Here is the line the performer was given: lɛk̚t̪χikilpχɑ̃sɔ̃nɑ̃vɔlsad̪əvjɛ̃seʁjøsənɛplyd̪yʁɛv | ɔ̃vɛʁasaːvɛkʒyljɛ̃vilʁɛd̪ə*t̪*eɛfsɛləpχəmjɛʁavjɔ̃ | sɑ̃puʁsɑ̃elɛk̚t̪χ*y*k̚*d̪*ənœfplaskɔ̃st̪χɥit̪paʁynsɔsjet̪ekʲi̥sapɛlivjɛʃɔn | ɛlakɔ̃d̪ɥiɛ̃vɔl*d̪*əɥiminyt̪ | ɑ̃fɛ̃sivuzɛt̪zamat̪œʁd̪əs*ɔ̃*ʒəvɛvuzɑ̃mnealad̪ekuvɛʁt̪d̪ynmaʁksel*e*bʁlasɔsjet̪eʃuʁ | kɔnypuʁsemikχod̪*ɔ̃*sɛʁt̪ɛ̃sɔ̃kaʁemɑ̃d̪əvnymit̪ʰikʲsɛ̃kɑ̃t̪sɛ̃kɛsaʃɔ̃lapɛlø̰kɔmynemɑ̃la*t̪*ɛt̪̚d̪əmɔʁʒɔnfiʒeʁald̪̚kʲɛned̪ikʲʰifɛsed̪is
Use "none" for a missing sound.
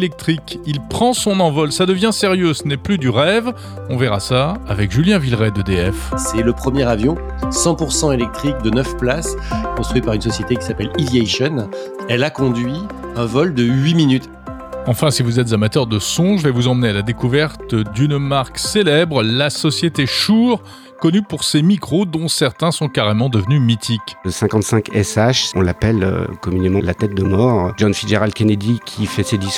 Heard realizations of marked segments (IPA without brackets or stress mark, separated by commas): d̪, i, d̪, d̪, ɔ̃, ɛ, ɔ̃, t̪